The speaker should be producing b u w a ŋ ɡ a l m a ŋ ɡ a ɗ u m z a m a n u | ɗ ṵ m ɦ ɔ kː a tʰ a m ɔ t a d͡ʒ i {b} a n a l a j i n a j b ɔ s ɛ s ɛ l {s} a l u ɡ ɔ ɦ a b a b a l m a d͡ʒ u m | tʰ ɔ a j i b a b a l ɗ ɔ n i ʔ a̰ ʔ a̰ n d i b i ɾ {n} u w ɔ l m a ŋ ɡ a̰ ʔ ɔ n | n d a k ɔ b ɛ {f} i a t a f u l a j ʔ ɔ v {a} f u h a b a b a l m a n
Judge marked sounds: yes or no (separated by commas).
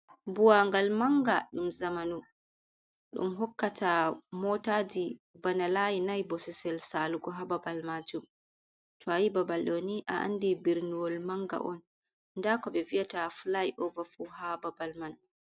yes, yes, yes, no, yes